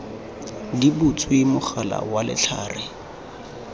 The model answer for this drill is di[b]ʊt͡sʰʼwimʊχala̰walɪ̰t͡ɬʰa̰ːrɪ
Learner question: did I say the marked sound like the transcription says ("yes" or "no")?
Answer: yes